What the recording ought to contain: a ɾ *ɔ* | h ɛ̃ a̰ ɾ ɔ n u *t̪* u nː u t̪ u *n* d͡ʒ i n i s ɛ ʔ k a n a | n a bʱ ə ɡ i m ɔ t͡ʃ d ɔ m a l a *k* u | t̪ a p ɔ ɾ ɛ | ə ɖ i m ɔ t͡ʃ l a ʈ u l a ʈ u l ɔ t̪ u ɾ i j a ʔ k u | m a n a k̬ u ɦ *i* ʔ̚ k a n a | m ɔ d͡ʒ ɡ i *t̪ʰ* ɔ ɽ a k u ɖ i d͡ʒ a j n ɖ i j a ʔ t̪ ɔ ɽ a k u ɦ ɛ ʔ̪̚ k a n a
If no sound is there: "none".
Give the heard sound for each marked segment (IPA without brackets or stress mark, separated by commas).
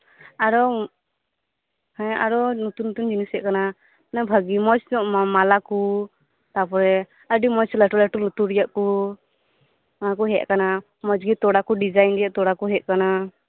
ɔ, t̪, n, k, ɛ, t̪